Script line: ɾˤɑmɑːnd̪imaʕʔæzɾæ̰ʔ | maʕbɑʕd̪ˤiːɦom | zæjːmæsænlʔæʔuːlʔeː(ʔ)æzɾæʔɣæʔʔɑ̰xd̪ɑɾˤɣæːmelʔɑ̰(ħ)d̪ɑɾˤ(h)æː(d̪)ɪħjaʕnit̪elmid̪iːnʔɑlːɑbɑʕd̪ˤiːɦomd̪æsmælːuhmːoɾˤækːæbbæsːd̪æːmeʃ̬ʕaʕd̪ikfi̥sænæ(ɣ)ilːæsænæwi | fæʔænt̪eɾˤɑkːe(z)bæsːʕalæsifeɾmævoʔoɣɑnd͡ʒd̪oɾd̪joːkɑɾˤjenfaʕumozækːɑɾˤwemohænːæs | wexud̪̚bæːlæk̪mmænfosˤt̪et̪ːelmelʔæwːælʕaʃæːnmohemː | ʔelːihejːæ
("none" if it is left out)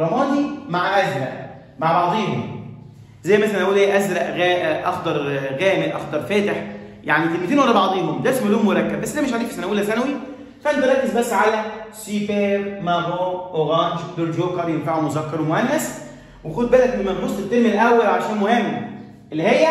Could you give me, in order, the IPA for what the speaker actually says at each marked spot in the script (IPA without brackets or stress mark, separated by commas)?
ʔ, x, f, t̪, w, z